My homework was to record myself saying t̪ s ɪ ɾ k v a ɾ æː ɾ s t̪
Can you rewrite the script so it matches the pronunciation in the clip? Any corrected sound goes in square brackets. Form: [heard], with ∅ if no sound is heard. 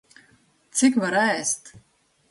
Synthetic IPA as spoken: t̪ s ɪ [∅] k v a ɾ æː [∅] s t̪